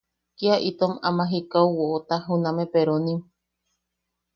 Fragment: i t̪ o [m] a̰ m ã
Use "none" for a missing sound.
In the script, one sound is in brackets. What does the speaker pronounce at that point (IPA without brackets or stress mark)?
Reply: m